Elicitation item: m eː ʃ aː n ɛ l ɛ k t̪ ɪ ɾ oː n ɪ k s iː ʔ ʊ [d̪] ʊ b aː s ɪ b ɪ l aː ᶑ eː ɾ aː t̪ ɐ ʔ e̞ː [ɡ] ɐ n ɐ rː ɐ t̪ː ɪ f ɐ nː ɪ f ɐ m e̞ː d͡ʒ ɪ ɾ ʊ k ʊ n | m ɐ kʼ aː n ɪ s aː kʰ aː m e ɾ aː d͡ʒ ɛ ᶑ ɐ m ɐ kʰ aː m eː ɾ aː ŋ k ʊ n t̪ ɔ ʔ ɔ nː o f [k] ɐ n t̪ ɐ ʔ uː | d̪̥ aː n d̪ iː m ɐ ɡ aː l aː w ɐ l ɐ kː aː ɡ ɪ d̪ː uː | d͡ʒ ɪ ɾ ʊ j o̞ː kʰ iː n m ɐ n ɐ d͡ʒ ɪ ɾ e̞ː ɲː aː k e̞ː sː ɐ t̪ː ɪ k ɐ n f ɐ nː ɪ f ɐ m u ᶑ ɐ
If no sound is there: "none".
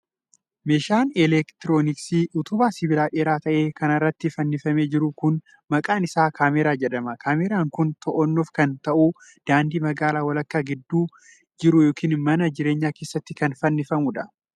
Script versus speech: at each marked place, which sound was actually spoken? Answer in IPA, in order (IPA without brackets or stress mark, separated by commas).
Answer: t̪, k, k